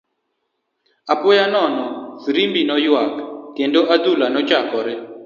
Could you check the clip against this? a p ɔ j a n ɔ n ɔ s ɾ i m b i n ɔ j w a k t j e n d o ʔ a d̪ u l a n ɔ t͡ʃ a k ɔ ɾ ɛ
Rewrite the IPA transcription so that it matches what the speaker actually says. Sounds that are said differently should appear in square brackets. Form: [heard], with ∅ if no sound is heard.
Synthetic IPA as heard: a p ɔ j a n ɔ n ɔ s ɾ i m b i n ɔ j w a k t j e n d o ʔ a d̪ u l a n ɔ t͡ʃ a k ɔ ɾ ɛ